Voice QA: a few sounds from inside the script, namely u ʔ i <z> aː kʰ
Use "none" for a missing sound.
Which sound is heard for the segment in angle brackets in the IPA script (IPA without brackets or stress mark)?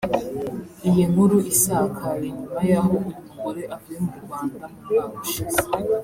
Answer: s